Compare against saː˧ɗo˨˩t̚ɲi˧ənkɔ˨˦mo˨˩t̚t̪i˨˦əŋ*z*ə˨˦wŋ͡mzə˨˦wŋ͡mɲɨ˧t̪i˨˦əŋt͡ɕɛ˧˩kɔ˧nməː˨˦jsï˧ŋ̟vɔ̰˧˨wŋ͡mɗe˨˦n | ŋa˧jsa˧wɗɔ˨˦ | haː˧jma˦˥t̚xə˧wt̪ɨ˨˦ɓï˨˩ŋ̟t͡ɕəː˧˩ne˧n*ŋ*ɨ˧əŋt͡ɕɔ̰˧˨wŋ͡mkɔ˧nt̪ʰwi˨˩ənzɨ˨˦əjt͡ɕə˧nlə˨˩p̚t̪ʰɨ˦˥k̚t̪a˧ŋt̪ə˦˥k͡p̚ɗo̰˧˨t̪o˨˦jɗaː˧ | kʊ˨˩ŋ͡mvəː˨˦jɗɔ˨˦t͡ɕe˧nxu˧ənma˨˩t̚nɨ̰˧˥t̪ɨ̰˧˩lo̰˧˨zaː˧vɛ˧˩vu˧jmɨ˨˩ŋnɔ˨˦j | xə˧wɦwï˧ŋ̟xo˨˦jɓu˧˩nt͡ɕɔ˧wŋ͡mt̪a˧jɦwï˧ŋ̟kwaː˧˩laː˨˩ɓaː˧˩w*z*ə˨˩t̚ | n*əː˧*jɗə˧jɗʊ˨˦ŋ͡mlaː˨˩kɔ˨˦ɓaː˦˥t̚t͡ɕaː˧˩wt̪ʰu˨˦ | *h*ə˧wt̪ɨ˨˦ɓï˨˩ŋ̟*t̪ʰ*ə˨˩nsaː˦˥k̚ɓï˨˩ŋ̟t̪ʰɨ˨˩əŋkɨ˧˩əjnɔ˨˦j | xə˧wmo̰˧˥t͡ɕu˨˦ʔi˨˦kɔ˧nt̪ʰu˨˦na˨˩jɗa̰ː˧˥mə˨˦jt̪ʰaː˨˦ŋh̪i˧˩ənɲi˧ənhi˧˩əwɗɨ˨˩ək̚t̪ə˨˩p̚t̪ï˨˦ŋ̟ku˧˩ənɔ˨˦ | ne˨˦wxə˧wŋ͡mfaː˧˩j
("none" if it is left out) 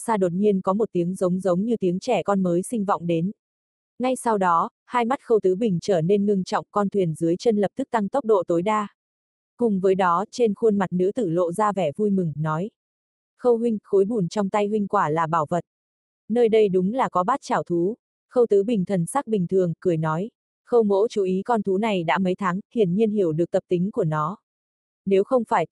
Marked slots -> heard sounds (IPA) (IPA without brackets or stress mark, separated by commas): z, ŋ, v, əː˧, x, t̪ʰ